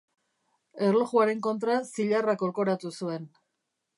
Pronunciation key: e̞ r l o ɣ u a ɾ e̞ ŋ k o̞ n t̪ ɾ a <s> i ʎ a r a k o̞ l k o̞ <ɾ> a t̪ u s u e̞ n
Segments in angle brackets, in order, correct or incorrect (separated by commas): correct, correct